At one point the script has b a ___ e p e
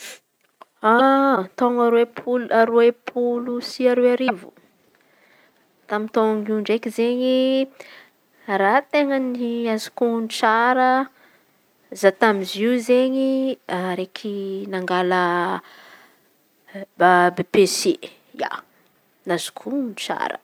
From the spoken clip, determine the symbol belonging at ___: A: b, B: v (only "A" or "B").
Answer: A